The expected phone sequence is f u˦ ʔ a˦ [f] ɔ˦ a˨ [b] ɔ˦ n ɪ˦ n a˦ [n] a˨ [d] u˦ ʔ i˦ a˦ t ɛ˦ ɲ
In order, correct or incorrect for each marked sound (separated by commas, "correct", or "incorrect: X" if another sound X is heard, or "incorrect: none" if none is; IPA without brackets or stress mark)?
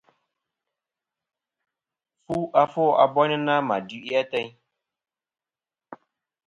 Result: correct, correct, incorrect: m, correct